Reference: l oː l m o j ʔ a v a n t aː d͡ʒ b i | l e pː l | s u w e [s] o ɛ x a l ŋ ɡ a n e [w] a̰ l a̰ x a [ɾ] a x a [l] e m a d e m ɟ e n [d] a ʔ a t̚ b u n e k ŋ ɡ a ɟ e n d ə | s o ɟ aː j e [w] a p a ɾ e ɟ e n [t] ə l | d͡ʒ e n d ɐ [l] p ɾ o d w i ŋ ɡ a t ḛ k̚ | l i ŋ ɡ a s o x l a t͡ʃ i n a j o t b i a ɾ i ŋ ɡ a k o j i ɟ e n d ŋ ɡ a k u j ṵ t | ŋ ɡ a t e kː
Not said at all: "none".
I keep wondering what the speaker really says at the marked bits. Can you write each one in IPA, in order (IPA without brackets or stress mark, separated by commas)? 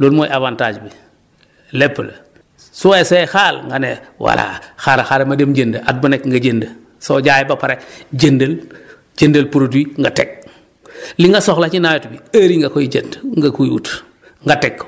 s, w, ɾ, ɾ, d, b, d, l